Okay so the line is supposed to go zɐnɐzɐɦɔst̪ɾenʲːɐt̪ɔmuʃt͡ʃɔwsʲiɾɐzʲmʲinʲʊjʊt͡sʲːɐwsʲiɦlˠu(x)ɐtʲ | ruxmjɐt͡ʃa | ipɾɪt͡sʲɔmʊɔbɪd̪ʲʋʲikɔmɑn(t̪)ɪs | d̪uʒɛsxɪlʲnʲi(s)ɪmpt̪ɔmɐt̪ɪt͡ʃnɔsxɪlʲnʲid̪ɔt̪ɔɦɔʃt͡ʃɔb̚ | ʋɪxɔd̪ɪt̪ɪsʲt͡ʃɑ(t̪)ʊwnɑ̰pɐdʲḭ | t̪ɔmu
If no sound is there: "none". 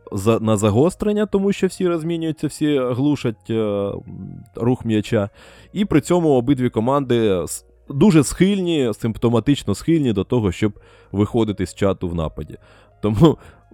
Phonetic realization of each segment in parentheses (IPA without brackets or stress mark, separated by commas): ʃ, d̪, s, t̪